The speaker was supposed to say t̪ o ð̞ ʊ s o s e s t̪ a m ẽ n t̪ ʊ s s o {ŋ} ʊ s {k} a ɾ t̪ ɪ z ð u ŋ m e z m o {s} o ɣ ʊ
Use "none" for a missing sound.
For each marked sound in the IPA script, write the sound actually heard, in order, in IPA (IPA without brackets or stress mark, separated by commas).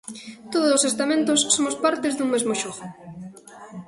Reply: m, p, ʃ